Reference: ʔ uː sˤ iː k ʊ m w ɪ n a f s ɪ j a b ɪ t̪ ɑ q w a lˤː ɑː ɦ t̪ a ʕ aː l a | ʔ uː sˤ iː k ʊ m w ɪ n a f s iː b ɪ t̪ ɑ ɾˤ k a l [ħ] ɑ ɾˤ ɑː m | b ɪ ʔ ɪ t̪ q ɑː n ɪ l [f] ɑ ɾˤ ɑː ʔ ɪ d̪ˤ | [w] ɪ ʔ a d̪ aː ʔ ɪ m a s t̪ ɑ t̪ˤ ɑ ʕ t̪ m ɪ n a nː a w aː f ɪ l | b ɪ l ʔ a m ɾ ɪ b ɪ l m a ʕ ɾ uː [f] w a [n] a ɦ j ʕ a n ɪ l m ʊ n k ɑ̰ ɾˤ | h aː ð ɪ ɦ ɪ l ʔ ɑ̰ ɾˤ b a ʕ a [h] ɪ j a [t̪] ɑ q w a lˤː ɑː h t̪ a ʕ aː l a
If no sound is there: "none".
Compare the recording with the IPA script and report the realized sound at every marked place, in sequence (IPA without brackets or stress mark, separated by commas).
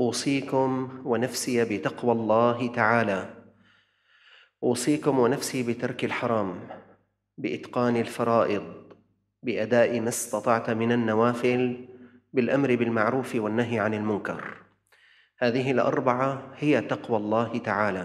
ħ, f, b, f, nː, h, t̪